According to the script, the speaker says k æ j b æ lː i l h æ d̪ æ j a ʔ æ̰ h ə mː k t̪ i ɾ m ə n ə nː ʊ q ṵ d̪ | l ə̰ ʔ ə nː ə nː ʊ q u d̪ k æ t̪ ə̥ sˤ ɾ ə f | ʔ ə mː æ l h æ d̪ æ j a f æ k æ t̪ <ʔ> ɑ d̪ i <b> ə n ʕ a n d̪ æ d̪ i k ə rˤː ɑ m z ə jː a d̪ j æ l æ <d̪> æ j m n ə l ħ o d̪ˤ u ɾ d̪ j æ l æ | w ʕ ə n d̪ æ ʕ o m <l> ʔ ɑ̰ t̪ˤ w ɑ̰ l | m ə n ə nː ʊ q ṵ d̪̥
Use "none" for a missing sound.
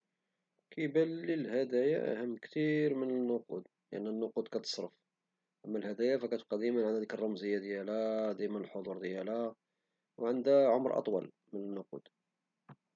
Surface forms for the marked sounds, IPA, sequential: q, m, d̪, ɾ

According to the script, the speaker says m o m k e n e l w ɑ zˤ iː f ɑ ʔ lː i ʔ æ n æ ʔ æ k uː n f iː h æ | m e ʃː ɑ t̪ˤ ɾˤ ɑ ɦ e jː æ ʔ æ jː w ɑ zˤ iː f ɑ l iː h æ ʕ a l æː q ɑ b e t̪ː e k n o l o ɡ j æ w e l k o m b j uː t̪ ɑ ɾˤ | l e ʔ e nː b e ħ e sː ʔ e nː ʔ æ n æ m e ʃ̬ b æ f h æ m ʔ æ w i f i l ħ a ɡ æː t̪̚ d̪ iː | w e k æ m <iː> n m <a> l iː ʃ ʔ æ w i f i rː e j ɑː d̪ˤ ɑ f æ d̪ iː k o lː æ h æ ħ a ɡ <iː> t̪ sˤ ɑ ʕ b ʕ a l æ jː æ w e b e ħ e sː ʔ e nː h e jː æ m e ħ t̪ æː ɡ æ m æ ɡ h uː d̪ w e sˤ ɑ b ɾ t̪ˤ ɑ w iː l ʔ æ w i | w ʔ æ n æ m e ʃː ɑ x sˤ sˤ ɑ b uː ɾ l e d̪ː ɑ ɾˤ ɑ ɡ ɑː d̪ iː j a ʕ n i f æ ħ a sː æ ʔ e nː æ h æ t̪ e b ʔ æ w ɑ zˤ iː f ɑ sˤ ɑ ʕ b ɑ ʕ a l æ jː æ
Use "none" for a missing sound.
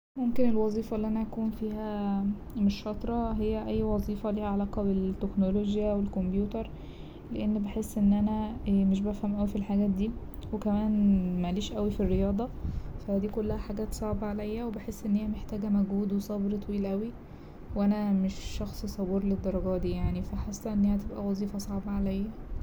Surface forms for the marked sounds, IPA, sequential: æː, æ, æː

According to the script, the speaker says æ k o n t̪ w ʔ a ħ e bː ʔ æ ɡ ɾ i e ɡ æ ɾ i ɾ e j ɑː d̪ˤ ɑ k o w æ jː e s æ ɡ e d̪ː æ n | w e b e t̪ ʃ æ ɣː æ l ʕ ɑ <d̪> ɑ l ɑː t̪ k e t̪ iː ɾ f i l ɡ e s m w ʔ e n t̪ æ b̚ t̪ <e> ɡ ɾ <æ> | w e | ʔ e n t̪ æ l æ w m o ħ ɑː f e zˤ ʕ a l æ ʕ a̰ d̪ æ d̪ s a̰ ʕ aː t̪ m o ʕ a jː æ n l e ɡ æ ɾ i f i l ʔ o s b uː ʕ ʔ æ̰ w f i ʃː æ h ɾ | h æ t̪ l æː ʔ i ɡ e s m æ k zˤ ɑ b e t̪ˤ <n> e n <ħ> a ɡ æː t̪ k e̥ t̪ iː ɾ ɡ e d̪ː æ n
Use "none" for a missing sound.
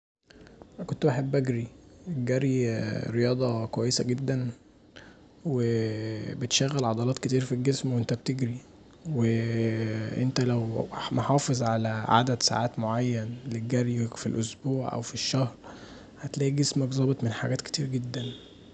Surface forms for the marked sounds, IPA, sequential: d̪, e, i, m, ħ

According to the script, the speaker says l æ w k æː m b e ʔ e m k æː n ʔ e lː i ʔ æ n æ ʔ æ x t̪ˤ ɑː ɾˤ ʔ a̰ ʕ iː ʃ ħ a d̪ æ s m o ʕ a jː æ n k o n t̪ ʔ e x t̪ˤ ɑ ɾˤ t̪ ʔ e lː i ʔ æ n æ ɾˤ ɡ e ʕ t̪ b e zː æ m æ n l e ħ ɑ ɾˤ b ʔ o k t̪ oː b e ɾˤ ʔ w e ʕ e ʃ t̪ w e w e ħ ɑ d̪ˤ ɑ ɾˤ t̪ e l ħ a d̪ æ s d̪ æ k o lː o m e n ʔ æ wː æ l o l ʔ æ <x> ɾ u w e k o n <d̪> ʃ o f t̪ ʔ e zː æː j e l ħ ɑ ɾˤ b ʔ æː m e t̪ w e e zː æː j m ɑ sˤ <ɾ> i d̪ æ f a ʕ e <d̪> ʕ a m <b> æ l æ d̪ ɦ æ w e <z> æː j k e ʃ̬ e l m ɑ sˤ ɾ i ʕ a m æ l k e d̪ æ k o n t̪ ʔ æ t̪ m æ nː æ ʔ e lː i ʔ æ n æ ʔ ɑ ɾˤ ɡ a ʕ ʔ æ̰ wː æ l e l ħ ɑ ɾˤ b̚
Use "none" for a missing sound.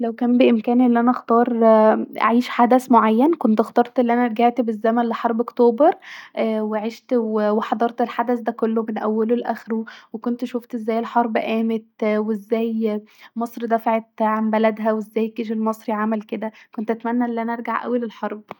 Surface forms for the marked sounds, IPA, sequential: x, t̪, ɾ, t̪, b, zː

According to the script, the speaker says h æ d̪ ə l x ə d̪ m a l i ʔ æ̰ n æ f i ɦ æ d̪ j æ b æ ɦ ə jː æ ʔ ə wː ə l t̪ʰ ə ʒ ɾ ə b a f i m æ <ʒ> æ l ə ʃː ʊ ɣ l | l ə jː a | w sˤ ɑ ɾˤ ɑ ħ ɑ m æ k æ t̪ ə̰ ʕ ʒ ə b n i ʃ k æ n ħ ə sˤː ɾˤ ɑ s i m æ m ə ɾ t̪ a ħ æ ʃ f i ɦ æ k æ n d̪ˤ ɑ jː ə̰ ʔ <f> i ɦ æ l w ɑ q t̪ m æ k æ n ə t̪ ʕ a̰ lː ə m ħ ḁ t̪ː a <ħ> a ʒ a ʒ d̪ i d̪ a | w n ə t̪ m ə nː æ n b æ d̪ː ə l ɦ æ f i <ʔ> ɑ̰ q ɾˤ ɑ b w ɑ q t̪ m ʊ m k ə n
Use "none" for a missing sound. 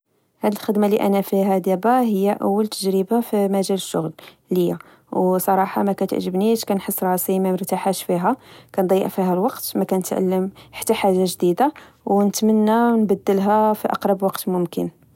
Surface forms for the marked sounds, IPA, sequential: ʒ, f, ħ, ʔ

